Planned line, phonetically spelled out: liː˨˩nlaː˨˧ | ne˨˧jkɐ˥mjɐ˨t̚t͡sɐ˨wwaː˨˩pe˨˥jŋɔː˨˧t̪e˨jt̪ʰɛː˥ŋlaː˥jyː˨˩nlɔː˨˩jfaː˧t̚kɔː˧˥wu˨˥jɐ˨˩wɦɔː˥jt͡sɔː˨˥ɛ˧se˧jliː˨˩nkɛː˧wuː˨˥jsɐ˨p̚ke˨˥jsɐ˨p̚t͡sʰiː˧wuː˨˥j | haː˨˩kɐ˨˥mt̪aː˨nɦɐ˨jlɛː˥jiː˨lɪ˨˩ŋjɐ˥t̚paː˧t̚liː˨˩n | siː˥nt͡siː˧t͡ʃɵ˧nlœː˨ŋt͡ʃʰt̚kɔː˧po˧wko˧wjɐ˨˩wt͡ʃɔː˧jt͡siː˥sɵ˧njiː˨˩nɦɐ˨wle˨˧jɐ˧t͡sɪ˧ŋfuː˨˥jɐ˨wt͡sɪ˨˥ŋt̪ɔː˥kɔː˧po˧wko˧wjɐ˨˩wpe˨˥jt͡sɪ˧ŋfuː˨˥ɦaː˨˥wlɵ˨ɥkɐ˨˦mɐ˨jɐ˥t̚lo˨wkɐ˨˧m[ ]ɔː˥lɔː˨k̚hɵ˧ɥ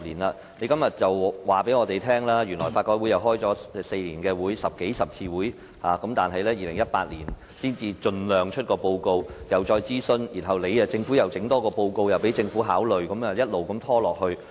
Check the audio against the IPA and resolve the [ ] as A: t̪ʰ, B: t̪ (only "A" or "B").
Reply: A